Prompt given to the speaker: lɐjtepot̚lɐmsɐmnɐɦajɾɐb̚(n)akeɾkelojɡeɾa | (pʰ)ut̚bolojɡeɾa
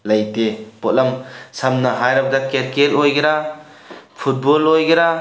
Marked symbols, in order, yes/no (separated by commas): no, yes